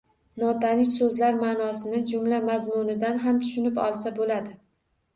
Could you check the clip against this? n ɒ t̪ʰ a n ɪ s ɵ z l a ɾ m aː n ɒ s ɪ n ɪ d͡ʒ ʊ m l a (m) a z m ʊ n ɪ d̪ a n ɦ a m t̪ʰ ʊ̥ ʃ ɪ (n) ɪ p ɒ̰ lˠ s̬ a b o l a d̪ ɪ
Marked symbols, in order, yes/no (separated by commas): yes, yes